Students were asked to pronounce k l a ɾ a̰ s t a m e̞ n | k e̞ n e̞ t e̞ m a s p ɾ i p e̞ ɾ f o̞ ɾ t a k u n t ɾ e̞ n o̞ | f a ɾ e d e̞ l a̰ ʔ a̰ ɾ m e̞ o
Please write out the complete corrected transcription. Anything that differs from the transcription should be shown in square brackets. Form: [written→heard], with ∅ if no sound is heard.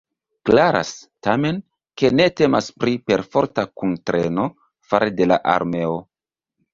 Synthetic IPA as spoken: k l a ɾ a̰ s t a m e̞ n | k e̞ n e̞ t e̞ m a s p ɾ i p e̞ ɾ f o̞ ɾ t a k u n t ɾ e̞ n o̞ | f a ɾ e d e̞ l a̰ ʔ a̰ ɾ m e̞ o